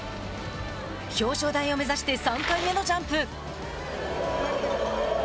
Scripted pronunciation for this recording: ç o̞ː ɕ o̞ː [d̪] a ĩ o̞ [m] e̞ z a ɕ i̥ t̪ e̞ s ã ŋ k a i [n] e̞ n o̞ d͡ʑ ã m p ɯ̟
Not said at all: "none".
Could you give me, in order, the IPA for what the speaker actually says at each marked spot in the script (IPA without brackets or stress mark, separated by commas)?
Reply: d̪, m, m